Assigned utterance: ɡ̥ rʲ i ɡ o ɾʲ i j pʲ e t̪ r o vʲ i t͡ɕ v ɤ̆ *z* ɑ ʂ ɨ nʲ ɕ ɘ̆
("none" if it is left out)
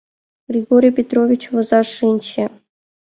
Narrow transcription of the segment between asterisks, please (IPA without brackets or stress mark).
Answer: z